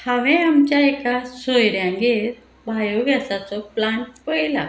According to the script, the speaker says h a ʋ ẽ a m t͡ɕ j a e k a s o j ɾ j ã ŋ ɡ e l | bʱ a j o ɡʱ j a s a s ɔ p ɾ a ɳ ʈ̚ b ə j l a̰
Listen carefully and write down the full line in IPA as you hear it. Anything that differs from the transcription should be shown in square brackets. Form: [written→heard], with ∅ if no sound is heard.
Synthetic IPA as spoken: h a ʋ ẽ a m t͡ɕ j a e k a s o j ɾ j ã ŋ ɡ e [l→ɾ] | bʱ a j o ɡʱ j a s a [s→t͡s] ɔ p [ɾ→l] a ɳ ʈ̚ [b→p] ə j l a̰